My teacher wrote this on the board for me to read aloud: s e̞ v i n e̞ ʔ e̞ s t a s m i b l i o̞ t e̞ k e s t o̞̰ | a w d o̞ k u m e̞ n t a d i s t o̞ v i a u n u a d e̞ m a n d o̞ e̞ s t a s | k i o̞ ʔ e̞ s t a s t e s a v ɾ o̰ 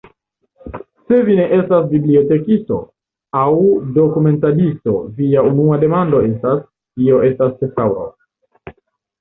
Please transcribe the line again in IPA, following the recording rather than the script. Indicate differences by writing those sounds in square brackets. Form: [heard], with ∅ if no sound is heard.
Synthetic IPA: s e̞ v i n e̞ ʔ e̞ s t a s [b] i b l i o̞ t e̞ k [i] s t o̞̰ | a w d o̞ k u m e̞ n t a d i s t o̞ v i a u n u a d e̞ m a n d o̞ e̞ s t a s | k i o̞ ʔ e̞ s t a s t e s a [w] ɾ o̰